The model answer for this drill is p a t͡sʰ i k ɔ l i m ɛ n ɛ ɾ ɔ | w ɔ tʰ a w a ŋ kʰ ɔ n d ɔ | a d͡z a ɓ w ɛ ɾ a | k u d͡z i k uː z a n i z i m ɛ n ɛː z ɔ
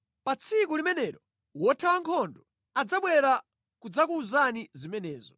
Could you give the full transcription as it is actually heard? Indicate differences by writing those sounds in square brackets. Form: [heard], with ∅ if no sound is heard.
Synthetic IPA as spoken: p a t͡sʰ i k [u] l i m ɛ n ɛ ɾ ɔ | w ɔ tʰ a w a ŋ kʰ ɔ n d ɔ | a d͡z a ɓ w ɛ ɾ a | k u d͡z [a] k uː z a n i z i m ɛ n ɛː z ɔ